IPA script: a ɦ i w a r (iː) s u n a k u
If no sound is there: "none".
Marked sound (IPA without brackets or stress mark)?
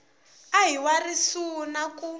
i